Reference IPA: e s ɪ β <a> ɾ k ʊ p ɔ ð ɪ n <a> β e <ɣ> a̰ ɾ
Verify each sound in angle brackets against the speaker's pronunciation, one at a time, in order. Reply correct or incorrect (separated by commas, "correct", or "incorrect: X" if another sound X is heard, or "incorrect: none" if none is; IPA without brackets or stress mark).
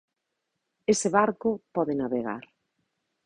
correct, correct, correct